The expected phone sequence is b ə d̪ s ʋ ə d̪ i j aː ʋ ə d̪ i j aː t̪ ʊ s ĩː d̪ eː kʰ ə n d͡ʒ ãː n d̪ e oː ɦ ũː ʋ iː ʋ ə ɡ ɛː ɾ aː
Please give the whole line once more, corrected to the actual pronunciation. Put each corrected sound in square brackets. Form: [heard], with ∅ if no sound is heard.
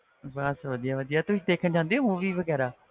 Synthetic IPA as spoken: b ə [∅] s ʋ ə d̪ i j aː ʋ ə d̪ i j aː t̪ ʊ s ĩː d̪ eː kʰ ə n d͡ʒ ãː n d̪ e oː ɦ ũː ʋ iː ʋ ə ɡ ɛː ɾ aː